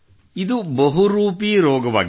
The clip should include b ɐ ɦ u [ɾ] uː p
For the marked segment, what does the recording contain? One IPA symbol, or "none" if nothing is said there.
ɾ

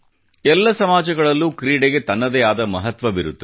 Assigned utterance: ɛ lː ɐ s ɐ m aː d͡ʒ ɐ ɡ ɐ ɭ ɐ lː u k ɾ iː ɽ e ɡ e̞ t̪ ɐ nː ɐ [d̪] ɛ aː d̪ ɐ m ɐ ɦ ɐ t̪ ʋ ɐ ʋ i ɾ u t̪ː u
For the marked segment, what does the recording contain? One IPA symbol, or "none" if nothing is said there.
d̪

